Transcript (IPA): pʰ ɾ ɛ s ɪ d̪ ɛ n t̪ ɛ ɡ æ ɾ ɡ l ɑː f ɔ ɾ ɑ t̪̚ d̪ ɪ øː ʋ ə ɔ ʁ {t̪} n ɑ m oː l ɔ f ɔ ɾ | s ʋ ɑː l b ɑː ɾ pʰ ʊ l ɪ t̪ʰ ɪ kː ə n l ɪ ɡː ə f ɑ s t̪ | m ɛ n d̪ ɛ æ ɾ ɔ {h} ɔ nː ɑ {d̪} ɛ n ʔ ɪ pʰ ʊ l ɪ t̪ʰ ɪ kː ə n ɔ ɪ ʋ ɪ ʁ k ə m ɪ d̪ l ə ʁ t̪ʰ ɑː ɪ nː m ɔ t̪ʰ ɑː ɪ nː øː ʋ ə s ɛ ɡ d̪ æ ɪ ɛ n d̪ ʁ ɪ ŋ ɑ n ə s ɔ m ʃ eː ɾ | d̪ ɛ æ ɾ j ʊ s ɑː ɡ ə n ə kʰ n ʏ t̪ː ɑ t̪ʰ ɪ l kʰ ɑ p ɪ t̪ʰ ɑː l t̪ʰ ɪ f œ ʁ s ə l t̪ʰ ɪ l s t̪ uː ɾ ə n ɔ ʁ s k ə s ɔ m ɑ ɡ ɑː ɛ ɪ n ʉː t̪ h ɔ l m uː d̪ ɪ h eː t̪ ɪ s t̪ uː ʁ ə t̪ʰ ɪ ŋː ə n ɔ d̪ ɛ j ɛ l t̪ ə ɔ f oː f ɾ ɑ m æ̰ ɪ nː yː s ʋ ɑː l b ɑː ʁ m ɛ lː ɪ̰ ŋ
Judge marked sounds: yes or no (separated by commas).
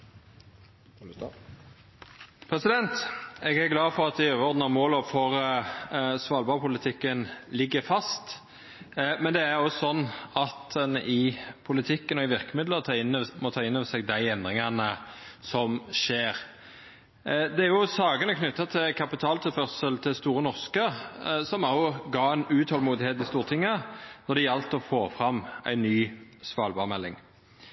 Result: no, no, no